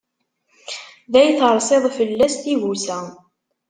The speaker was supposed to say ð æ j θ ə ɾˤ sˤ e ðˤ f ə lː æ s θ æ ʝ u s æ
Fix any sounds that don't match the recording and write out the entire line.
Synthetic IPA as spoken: ð æ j θ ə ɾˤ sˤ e ðˤ f ə lː æ s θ i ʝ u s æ